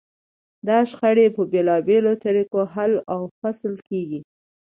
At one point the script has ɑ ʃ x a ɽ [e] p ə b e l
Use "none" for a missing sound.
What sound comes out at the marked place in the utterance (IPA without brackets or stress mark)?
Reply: e